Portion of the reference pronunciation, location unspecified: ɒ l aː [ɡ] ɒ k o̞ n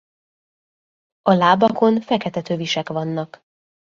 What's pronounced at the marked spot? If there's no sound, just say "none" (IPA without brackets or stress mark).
b